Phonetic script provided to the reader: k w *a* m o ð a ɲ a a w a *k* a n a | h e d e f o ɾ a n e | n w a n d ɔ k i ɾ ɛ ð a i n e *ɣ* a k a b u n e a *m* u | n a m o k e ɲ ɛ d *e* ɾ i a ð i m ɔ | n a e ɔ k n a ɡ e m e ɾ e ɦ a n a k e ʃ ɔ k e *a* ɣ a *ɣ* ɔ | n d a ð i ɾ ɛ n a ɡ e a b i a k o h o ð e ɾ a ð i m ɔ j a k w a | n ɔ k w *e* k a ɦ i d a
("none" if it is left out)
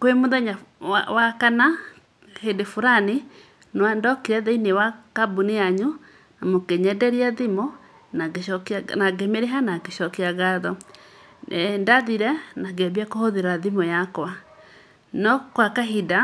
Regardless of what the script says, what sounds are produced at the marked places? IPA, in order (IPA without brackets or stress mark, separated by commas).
e, k, w, ɲ, ɛ, a, ð, a